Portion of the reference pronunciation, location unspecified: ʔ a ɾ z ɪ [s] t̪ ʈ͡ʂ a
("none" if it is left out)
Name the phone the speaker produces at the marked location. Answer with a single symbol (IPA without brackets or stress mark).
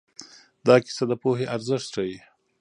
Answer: ʂ